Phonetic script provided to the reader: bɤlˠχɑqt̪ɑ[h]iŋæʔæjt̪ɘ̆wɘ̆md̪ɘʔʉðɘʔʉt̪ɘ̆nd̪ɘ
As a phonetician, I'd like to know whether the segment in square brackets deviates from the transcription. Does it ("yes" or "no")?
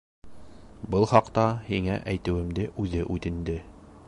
no